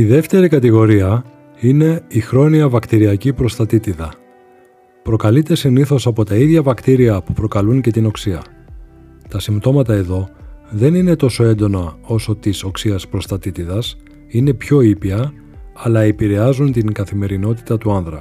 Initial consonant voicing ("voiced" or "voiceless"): voiced